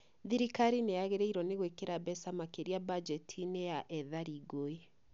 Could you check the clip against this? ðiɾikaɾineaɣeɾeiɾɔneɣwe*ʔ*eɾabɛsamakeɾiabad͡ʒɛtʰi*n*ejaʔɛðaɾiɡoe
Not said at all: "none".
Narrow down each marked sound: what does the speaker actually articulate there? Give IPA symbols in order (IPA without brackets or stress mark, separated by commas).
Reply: k, n